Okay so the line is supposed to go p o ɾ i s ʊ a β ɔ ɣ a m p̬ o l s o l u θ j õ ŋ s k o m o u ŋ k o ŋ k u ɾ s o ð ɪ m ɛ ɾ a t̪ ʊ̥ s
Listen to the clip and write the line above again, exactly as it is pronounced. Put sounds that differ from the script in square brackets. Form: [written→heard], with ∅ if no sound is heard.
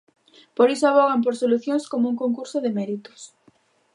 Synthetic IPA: p o ɾ i s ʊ a β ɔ ɣ a m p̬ o [l→ɾ] s o l u θ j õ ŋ s k o m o u ŋ k o ŋ k u ɾ s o ð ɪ m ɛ ɾ [a→i] t̪ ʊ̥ s

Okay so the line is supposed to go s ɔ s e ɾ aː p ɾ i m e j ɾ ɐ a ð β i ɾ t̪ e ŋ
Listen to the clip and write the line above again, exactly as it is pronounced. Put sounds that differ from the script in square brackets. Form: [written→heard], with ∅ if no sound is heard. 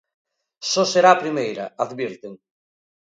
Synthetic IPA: s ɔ s e ɾ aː p ɾ i m e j ɾ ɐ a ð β i ɾ t̪ e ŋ

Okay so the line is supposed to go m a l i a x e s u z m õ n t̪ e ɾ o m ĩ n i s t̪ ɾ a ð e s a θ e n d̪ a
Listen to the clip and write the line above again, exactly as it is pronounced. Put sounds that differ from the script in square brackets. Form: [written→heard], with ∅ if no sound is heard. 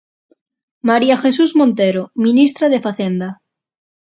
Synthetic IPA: m a [l→ɾ] i a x e s u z m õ n t̪ e ɾ o m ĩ n i s t̪ ɾ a ð e [s→f] a θ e n d̪ a

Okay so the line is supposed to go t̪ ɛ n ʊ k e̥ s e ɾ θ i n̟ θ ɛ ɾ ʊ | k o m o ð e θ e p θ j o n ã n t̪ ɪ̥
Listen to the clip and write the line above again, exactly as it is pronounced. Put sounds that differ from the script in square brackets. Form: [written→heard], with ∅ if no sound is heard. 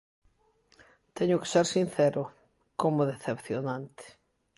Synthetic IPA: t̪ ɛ [n→ɲ] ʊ k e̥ s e ɾ [θ→s] i n̟ θ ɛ ɾ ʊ | k o m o ð e θ e p θ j o n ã n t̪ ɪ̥

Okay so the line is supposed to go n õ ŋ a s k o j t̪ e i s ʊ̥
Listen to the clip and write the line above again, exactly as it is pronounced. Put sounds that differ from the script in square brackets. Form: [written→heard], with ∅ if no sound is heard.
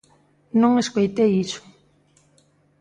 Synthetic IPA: n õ ŋ [a→e] s k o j t̪ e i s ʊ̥

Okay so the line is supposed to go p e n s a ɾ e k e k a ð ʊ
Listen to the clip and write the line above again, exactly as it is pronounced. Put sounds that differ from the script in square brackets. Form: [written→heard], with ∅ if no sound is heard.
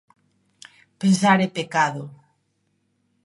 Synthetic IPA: p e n s a ɾ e [k→p] e k a ð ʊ

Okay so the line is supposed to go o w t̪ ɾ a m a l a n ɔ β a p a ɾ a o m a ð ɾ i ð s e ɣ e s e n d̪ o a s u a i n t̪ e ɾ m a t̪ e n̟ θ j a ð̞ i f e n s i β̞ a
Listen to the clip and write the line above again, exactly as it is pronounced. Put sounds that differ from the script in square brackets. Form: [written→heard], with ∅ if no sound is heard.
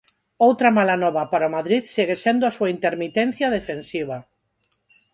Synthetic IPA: o w t̪ ɾ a m a l a n ɔ β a p a ɾ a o m a ð ɾ i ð s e ɣ e s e n d̪ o a s u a i n t̪ e ɾ m [a→i] t̪ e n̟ θ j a ð̞ [i→e] f e n s i β̞ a

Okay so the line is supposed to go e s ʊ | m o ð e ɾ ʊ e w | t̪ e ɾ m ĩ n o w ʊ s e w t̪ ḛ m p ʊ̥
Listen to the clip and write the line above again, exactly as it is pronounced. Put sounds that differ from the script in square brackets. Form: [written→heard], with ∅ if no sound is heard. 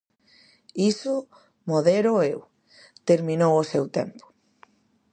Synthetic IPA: [e→i] s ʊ | m o ð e ɾ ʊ e w | t̪ e ɾ m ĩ n o w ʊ s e w t̪ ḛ m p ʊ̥

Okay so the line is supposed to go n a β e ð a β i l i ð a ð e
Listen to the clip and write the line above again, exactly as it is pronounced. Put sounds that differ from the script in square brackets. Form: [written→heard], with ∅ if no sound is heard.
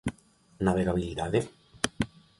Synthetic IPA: n a β e [ð→ɣ] a β i l i ð a ð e

